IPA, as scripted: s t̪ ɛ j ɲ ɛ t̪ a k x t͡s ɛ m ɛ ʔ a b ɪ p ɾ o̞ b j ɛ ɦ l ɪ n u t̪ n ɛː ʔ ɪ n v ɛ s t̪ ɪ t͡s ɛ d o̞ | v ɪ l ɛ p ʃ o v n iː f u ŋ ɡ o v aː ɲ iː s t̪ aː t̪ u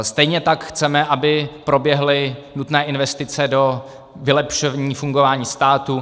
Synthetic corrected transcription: s t̪ ɛ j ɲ ɛ t̪ a k x t͡s ɛ m ɛ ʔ a b ɪ p ɾ o̞ b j ɛ ɦ l ɪ n u t̪ n ɛː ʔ ɪ n v ɛ s t̪ ɪ t͡s ɛ d o̞ | v ɪ l ɛ p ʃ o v ɲ iː f u ŋ ɡ o v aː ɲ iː s t̪ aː t̪ u